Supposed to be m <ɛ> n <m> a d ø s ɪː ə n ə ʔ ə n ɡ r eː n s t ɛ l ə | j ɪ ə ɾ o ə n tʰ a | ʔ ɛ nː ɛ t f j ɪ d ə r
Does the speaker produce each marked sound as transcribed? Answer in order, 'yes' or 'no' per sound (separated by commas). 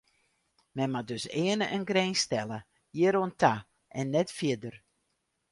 yes, yes